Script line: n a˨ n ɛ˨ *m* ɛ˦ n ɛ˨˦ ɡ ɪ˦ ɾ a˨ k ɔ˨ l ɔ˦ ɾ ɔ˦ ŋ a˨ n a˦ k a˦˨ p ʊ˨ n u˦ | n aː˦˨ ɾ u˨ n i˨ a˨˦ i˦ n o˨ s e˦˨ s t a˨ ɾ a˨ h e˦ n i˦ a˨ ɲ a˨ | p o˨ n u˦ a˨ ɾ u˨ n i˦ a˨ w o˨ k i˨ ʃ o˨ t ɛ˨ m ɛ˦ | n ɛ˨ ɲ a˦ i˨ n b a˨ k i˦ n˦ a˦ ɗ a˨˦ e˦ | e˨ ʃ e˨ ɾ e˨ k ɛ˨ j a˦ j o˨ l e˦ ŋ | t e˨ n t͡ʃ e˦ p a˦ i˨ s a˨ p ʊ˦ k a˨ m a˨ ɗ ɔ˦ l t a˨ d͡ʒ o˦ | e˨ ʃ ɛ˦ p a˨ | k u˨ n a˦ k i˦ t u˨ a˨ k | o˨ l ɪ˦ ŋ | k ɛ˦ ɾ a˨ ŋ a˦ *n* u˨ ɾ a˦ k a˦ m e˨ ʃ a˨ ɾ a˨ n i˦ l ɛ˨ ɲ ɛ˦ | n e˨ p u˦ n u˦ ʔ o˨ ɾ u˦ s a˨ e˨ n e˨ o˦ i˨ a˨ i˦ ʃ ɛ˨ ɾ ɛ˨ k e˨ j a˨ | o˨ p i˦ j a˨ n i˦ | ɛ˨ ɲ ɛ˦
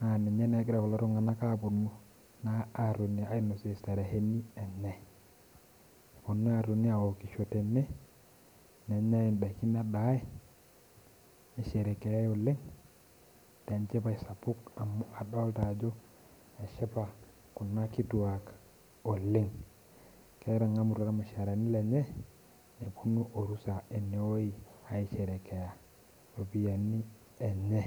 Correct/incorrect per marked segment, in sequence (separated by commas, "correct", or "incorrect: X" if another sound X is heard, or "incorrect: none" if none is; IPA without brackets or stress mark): incorrect: ɲ, incorrect: m